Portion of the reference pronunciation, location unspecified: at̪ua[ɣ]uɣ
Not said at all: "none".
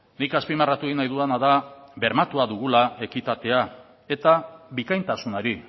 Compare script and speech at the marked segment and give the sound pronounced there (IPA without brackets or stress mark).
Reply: ð